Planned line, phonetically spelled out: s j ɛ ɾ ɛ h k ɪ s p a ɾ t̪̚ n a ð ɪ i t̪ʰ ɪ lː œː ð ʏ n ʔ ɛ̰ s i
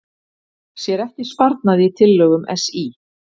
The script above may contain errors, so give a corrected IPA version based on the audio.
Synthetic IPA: s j ɛ ɾ ɛ h c ɪ s p a ɾ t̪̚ n a ð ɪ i t̪ʰ ɪ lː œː ɣ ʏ m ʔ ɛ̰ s i

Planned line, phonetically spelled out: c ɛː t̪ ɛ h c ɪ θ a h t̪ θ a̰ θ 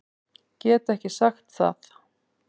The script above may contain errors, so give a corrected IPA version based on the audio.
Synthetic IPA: c ɛː t̪ ɛ h c ɪ s a x t̪ θ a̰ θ

